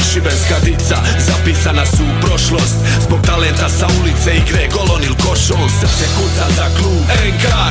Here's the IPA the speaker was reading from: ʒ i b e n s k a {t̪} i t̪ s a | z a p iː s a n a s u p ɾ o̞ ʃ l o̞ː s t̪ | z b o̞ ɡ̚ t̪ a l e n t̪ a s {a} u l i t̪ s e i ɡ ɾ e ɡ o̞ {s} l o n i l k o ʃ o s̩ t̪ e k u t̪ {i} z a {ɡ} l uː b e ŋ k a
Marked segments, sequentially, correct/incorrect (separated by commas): incorrect, correct, incorrect, incorrect, incorrect